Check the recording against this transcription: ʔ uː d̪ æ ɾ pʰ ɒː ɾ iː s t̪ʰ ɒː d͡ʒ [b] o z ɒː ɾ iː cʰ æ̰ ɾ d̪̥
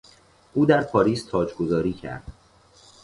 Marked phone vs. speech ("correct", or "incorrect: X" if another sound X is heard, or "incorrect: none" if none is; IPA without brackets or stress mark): incorrect: ɡ